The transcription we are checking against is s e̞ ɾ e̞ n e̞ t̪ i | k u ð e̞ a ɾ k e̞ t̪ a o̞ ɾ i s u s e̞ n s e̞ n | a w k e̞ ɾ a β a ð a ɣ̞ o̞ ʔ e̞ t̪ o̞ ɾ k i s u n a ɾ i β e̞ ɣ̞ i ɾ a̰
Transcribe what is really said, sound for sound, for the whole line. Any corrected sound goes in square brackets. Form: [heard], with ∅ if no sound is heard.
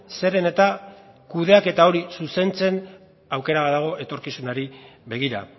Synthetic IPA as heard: s e̞ ɾ e̞ n e̞ t̪ [a] | k u ð e̞ a [∅] k e̞ t̪ a o̞ ɾ i s u s e̞ n [t͡s] e̞ n | a w k e̞ ɾ a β a ð a ɣ̞ o̞ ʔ e̞ t̪ o̞ ɾ k i s u n a ɾ i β e̞ ɣ̞ i ɾ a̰

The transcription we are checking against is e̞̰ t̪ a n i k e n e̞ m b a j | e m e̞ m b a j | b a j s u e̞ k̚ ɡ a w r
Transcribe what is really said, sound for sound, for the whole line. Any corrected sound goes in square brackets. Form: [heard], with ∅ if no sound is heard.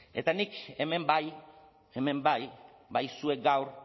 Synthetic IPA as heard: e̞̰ t̪ a n i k e [m] e̞ m b a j | e m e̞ m b a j | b a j s u e̞ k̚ ɡ a w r

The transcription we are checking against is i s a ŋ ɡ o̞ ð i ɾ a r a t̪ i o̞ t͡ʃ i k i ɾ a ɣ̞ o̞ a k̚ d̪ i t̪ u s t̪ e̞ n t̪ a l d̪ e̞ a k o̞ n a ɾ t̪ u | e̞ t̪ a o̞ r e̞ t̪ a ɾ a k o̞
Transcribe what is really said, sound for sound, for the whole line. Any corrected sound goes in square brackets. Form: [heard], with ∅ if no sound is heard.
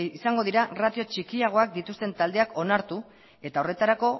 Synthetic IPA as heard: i s a ŋ ɡ o̞ ð i ɾ a r a t̪ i o̞ t͡ʃ i k i [∅] a ɣ̞ o̞ a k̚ d̪ i t̪ u s t̪ e̞ n t̪ a l d̪ e̞ a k o̞ n a ɾ t̪ u | e̞ t̪ a o̞ r e̞ t̪ a ɾ a k o̞

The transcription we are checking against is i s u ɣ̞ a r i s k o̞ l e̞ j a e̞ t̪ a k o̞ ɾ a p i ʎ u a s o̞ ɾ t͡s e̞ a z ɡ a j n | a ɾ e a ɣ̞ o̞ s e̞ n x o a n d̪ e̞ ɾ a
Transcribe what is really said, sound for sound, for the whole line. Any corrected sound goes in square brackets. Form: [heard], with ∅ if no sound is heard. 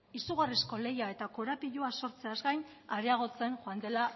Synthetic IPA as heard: i s u ɣ̞ a r i s k o̞ l e̞ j a e̞ t̪ a k o̞ ɾ a p i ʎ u a s o̞ ɾ t͡s e̞ a z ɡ a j n | a ɾ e a ɣ̞ o̞ [t͡s] e̞ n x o a n d̪ e̞ [l] a

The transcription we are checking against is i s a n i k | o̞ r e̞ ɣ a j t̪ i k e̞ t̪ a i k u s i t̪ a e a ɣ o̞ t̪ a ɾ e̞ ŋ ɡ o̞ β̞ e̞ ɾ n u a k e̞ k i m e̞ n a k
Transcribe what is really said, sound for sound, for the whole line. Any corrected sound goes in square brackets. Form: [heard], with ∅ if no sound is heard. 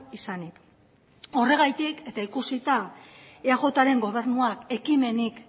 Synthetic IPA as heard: i s a n i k | o̞ r e̞ ɣ a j t̪ i k e̞ t̪ a i k u s i t̪ a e a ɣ o̞ t̪ a ɾ e̞ ŋ ɡ o̞ β̞ e̞ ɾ n u a k e̞ k i m e̞ n [i] k

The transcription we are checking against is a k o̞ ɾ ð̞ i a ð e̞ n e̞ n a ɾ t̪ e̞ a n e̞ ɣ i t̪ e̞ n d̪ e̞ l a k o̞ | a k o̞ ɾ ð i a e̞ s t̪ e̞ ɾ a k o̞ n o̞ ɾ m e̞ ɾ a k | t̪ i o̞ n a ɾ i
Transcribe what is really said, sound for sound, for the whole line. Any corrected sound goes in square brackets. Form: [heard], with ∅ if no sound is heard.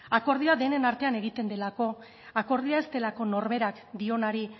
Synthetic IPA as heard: a k o̞ ɾ ð̞ i a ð e̞ n e̞ n a ɾ t̪ e̞ a n e̞ ɣ i t̪ e̞ n d̪ e̞ l a k o̞ | a k o̞ ɾ ð i a e̞ s t̪ e̞ [l] a k o̞ n o̞ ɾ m e̞ ɾ a k | [d̪] i o̞ n a ɾ i

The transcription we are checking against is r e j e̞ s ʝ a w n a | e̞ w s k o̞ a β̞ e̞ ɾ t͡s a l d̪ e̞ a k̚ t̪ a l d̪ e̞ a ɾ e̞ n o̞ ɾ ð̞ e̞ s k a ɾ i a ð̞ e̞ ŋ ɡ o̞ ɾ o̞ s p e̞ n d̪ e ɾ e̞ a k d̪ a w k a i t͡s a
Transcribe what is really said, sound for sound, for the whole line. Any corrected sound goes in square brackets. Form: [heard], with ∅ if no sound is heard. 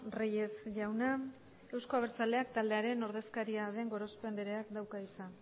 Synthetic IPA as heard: r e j e̞ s ʝ a w n a | e̞ w s k o̞ a β̞ e̞ ɾ t͡s a l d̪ e̞ a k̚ t̪ a l d̪ e̞ a ɾ e̞ n o̞ ɾ ð̞ e̞ s k a ɾ i a ð̞ e̞ ŋ ɡ o̞ ɾ o̞ s p e̞ n d̪ e ɾ e̞ a k d̪ a w k a i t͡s a

